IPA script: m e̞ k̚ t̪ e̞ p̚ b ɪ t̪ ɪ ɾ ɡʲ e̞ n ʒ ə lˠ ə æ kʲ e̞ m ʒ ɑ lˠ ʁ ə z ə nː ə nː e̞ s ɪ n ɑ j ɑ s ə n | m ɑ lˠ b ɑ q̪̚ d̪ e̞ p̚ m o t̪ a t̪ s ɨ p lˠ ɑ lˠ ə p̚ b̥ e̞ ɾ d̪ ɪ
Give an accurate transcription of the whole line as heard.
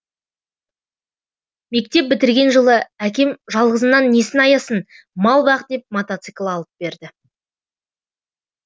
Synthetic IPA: m e̞ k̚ t̪ e̞ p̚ b ɪ t̪ ɪ ɾ ɡʲ e̞ n ʒ ə lˠ ə æ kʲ e̞ m ʒ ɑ lˠ ʁ ə z ə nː ɑ nː e̞ s ɪ n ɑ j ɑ s ə n | m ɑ lˠ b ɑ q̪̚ d̪ e̞ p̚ m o t̪ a t̪ s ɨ k lˠ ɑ lˠ ə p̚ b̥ e̞ ɾ d̪ ɪ